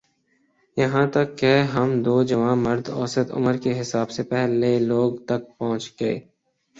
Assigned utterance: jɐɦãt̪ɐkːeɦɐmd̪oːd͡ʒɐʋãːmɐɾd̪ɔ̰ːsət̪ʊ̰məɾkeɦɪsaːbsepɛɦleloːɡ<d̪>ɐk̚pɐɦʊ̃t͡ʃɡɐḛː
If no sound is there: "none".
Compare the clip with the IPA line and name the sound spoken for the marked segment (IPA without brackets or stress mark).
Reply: t̪